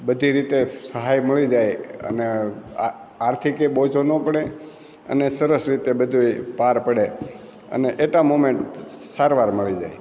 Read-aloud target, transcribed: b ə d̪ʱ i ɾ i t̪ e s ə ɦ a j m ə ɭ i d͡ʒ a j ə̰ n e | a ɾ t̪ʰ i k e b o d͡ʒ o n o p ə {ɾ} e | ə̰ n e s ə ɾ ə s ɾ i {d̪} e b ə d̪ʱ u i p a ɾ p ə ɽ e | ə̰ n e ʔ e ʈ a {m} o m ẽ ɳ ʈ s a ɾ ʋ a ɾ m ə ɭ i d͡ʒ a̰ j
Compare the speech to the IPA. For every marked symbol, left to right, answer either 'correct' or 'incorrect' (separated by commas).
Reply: incorrect, incorrect, correct